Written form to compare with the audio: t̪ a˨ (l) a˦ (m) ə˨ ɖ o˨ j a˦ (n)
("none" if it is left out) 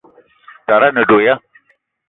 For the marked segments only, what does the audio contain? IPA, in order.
ɾ, n, none

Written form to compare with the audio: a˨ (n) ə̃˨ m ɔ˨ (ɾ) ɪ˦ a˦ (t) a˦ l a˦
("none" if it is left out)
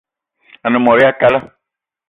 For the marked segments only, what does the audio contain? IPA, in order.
n, ɾ, k

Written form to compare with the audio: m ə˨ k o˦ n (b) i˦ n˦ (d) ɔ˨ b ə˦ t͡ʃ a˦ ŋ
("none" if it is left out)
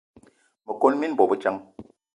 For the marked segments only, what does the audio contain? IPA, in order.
m, b

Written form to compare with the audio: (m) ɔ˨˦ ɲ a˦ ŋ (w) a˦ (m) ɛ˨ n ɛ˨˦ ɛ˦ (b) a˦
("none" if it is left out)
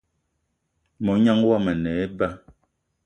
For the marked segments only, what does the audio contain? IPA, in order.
m, w, m, b

